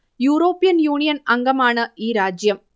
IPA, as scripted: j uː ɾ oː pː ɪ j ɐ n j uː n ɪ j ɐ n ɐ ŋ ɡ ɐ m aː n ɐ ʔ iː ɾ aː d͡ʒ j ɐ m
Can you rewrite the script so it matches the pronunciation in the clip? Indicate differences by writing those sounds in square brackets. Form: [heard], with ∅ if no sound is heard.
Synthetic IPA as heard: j uː ɾ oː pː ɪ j ɐ n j uː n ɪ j ɐ n ɐ ŋ ɡ ɐ m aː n ɐ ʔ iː ɾ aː d͡ʒ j ɐ m